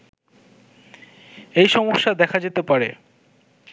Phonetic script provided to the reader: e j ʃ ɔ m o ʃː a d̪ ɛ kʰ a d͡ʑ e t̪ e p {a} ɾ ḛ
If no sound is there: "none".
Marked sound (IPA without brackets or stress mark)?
a